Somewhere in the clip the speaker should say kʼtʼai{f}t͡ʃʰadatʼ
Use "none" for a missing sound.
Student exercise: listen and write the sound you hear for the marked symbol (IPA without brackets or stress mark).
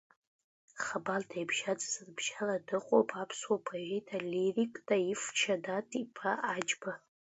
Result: f